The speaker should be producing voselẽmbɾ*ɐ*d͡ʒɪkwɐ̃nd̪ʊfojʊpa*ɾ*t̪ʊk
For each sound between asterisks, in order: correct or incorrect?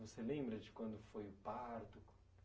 correct, correct

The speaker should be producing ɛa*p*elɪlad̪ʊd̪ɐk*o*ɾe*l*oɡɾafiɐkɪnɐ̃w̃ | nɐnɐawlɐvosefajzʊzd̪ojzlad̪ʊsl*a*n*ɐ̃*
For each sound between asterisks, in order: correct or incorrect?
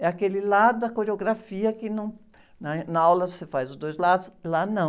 incorrect: k, correct, incorrect: none, correct, correct

